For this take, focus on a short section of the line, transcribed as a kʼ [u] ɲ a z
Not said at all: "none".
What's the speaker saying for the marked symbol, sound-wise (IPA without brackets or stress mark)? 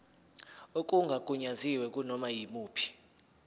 u